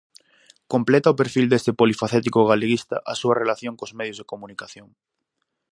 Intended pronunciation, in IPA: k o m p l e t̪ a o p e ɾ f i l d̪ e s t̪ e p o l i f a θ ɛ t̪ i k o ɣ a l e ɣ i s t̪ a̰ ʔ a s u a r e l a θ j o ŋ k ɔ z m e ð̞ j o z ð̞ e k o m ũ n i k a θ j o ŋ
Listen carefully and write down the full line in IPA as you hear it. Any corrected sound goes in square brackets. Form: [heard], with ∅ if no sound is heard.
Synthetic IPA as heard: k o m p l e t̪ a o p e ɾ f i l d̪ e s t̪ e p o l i f a θ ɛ t̪ i k o ɣ a l e ɣ i s t̪ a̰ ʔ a s u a r e l a θ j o ŋ k [o] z m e ð̞ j o z ð̞ e k o m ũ n i k a θ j o ŋ